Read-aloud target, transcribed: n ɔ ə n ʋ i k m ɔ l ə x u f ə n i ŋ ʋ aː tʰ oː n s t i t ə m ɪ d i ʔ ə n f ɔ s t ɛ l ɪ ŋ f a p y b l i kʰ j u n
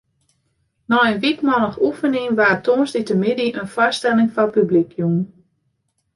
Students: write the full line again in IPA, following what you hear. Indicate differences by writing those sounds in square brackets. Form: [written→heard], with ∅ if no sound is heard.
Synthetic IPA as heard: n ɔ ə n ʋ i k m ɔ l ə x u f ə n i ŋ ʋ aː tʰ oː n s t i t ə m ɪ d i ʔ ə n f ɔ s t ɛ l ɪ ŋ f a p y b l i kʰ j u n